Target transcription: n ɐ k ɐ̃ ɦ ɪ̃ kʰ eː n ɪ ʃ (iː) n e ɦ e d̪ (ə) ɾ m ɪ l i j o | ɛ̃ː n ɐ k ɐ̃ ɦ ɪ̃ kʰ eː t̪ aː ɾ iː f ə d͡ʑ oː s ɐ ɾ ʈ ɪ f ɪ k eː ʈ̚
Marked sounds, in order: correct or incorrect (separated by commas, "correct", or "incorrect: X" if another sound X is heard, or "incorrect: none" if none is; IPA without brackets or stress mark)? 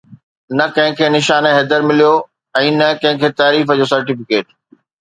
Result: incorrect: aː, correct